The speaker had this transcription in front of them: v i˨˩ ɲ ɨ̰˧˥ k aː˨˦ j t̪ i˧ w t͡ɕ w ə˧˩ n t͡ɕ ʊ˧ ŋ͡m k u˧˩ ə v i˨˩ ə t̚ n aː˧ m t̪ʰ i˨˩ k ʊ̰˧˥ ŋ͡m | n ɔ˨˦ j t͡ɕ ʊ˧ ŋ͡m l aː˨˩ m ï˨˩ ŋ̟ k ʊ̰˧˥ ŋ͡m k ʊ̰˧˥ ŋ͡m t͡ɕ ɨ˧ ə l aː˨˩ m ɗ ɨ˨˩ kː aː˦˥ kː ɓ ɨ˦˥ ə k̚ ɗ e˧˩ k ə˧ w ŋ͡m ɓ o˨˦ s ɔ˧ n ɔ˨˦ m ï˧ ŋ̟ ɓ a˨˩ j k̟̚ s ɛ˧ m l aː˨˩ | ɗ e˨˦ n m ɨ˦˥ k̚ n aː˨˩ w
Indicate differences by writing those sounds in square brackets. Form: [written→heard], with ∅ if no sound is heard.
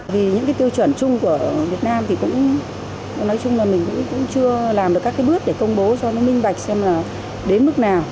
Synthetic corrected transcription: v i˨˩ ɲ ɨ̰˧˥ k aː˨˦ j t̪ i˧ w t͡ɕ w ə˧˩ n t͡ɕ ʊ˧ ŋ͡m k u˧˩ ə v i˨˩ ə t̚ n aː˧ m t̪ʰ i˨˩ k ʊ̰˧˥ ŋ͡m | n ɔ˨˦ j t͡ɕ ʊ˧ ŋ͡m l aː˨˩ m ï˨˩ ŋ̟ k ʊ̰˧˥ ŋ͡m k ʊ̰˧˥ ŋ͡m t͡ɕ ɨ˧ ə l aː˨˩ m ɗ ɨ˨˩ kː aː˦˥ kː ɓ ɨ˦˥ ə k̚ ɗ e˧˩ k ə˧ w ŋ͡m ɓ o˨˦ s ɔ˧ n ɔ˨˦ m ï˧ ŋ̟ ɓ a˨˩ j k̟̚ s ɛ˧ m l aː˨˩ | ɗ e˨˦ n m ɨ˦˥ k̚ n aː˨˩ w